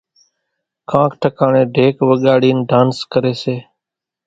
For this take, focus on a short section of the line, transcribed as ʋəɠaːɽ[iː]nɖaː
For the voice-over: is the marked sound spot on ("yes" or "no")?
yes